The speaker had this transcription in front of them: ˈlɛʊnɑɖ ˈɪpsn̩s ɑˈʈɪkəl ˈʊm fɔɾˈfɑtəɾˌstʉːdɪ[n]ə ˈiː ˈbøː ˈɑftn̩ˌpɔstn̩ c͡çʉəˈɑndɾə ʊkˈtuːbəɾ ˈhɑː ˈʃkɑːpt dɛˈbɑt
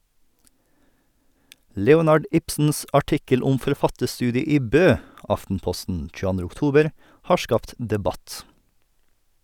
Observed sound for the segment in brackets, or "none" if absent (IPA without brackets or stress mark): none